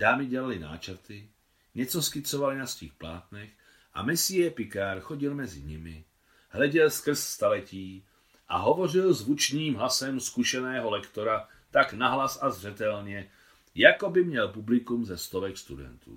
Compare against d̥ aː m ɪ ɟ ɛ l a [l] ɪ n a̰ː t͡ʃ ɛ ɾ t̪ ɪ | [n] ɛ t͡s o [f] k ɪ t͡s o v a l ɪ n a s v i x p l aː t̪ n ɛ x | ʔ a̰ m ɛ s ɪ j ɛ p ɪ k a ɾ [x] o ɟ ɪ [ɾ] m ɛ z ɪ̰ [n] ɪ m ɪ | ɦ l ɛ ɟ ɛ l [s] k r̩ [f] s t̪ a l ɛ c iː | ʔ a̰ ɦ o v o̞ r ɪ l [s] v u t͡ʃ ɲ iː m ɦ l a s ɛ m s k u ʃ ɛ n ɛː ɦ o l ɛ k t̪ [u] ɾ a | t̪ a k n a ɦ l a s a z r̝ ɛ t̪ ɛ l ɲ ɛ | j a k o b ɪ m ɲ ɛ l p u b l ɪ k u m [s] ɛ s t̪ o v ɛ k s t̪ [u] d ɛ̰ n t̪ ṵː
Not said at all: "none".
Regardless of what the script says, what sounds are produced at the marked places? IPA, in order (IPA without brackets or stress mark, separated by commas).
l, ɲ, s, x, l, ɲ, s, s, z, o, z, u